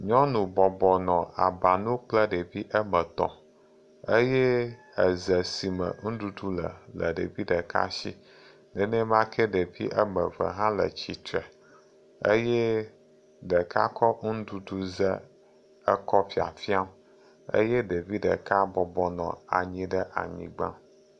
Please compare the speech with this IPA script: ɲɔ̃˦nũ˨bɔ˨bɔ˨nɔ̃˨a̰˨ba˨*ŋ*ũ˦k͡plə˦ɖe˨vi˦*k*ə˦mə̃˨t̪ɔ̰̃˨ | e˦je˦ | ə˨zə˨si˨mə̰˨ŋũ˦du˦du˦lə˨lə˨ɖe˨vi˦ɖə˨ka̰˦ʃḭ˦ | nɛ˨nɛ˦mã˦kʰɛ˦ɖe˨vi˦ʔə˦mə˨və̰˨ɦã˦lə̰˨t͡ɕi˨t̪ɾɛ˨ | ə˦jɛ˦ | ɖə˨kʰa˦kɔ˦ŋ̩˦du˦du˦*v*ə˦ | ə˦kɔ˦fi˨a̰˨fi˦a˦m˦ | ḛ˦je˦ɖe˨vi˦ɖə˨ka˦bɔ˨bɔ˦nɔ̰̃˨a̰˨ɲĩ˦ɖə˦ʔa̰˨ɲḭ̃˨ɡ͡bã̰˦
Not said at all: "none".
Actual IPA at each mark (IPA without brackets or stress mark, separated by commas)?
n, ʔ, z